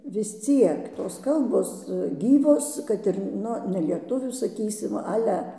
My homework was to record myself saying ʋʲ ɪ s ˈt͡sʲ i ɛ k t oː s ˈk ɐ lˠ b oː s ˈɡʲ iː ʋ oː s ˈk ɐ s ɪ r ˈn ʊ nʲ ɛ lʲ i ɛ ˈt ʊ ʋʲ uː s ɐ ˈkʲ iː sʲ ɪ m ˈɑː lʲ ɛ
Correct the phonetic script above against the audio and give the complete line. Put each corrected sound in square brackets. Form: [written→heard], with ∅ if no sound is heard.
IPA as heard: ʋʲ ɪ s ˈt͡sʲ i ɛ k t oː s ˈk ɐ lˠ b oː s ˈɡʲ iː ʋ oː s ˈk ɐ [s→t] ɪ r ˈn ʊ nʲ ɛ lʲ i ɛ ˈt ʊ ʋʲ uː s ɐ ˈkʲ iː sʲ ɪ m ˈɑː lʲ ɛ

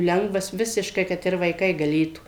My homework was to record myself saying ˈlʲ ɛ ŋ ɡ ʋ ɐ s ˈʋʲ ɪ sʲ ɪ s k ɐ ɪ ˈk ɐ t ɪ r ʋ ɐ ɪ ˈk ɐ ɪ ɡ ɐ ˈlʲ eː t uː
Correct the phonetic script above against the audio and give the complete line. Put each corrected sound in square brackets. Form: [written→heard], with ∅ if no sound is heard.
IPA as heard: ˈlʲ ɛ ŋ ɡ ʋ ɐ s ˈʋʲ ɪ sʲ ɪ [s→ʃ] k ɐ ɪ ˈk ɐ t ɪ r ʋ ɐ ɪ ˈk ɐ ɪ ɡ ɐ ˈlʲ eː t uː

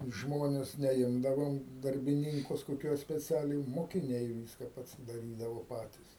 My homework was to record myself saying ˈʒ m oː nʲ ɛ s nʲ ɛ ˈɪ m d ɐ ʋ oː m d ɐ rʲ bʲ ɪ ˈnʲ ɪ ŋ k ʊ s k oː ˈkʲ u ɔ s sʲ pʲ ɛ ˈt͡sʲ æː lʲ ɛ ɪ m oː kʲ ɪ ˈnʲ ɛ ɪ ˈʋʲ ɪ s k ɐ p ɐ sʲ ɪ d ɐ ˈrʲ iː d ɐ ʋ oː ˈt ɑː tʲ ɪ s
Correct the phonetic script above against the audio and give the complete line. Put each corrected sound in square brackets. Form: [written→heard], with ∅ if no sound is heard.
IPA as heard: ˈʒ m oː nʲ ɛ s nʲ ɛ ˈɪ m d ɐ ʋ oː m d ɐ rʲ bʲ ɪ ˈnʲ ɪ ŋ k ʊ s k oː ˈkʲ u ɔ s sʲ pʲ ɛ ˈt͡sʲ æː lʲ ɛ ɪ m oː kʲ ɪ ˈnʲ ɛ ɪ ˈʋʲ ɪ s k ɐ p ɐ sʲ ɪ d ɐ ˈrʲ iː d ɐ ʋ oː [ˈt→ˈp] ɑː tʲ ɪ s

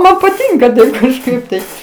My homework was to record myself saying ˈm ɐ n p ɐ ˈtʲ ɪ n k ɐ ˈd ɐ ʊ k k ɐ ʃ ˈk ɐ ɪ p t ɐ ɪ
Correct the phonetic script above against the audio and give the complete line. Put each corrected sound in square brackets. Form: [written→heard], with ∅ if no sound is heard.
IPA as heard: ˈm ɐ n p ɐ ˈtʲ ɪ [n→ŋ] k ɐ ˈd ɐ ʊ k k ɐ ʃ ˈk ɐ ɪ p t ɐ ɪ

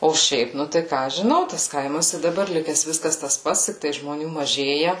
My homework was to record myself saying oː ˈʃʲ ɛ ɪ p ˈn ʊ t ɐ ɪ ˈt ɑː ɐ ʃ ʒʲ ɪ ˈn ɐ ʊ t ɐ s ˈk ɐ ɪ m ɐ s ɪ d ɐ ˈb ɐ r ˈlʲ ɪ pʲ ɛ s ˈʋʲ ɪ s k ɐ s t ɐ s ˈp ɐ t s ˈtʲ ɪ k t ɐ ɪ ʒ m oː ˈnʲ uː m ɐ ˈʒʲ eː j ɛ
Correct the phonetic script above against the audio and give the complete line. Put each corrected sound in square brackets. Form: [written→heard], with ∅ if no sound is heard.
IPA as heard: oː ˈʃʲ ɛ ɪ p ˈn ʊ t ɐ ɪ [ˈt→ˈk] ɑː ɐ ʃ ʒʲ ɪ ˈn ɐ ʊ t ɐ s ˈk ɐ ɪ m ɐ s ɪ d ɐ ˈb ɐ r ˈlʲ ɪ [pʲ→kʲ] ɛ s ˈʋʲ ɪ s k ɐ s t ɐ s ˈp ɐ t s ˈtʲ ɪ k t ɐ ɪ ʒ m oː ˈnʲ uː m ɐ ˈʒʲ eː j ɛ

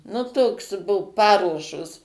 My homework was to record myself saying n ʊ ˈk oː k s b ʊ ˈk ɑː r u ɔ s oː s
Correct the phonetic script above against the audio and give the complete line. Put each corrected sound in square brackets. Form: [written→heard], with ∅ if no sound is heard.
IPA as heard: n ʊ [ˈk→ˈt] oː k s b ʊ [ˈk→ˈp] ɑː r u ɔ [s→ʃ] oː s

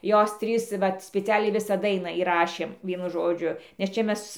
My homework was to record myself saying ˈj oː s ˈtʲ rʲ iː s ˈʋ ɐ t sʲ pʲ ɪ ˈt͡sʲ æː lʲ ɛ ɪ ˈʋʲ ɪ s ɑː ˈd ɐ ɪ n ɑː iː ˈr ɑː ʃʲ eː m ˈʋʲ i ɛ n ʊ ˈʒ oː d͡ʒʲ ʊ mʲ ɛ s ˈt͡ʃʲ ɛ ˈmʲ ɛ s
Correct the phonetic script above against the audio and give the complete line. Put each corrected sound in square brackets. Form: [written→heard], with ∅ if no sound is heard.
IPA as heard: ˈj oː s ˈtʲ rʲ iː s ˈʋ ɐ t sʲ pʲ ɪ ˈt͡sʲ æː lʲ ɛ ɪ ˈʋʲ ɪ s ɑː ˈd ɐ ɪ n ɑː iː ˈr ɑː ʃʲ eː m ˈʋʲ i ɛ n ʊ ˈʒ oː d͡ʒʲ ʊ [mʲ→nʲ] ɛ s ˈt͡ʃʲ ɛ ˈmʲ ɛ s

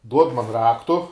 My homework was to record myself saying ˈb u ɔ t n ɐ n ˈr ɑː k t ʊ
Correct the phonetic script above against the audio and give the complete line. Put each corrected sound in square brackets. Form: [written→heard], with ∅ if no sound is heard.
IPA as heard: [ˈb→ˈd] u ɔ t [n→m] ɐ n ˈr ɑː k t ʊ

